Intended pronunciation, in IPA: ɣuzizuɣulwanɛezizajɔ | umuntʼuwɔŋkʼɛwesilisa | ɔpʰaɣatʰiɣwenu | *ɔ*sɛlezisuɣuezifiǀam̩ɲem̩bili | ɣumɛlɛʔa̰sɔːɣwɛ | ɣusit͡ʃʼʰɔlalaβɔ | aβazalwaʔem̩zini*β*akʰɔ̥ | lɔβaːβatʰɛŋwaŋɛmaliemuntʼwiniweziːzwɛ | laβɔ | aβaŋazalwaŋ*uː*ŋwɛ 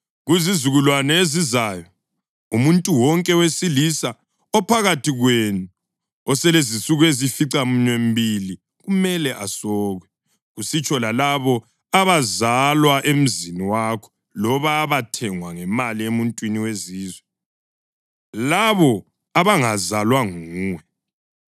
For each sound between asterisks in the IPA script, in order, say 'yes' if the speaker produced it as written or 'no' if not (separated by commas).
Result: yes, no, yes